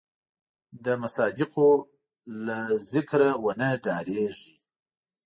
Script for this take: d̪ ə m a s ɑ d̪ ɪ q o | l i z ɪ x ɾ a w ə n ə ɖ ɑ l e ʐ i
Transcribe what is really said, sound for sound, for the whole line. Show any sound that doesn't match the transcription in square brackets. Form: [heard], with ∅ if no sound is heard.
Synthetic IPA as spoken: d̪ ə m a s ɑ d̪ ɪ q o | l [a] z ɪ [k] ɾ a w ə n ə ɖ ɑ [ɾ] e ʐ i